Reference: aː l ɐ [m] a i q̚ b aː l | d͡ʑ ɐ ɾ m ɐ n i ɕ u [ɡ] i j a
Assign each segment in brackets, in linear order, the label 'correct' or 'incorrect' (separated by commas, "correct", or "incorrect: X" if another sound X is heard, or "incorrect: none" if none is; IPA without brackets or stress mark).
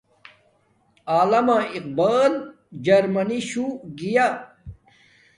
correct, correct